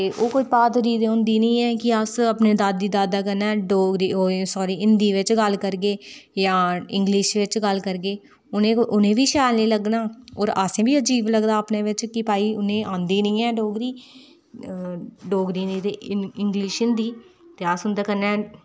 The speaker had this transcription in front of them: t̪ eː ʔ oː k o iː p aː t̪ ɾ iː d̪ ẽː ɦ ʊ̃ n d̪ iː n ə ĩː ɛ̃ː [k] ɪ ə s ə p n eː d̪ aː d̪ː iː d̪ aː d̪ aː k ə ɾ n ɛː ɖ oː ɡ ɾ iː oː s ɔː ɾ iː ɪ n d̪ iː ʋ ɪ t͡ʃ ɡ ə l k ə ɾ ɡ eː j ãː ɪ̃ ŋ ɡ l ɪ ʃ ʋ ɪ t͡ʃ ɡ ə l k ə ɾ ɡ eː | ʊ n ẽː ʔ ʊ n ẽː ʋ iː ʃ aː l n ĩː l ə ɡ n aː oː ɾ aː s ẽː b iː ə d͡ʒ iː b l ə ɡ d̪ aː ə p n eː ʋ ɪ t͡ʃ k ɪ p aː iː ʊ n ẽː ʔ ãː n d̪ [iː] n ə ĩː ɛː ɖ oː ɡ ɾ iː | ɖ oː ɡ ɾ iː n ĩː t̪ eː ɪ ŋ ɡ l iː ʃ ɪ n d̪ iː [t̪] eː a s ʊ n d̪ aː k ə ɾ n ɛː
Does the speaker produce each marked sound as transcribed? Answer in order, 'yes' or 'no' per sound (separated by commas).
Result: yes, yes, yes